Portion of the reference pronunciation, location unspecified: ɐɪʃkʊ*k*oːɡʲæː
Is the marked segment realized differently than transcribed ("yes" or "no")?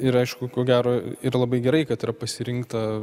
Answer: no